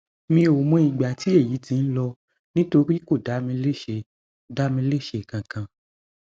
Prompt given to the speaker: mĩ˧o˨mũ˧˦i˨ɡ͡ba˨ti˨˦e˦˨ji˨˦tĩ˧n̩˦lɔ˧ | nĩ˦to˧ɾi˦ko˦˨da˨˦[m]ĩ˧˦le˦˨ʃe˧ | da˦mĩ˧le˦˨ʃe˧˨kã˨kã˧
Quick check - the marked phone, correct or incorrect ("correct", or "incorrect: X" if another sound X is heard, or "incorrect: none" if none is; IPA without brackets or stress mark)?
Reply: correct